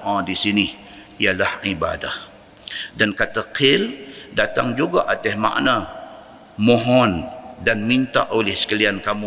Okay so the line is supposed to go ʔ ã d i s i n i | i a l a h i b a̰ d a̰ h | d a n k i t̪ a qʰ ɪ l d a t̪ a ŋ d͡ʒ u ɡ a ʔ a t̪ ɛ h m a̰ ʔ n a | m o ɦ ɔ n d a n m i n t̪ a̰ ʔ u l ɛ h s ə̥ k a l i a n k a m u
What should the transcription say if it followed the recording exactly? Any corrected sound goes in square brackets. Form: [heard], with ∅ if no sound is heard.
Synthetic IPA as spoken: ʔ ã d i s i n i | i a l a h i b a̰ d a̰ h | d a n k [a] t̪ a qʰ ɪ l d a t̪ a ŋ d͡ʒ u ɡ a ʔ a t̪ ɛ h m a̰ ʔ n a | m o ɦ ɔ n d a n m i n t̪ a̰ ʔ [o] l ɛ h s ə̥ k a l i a n k a m u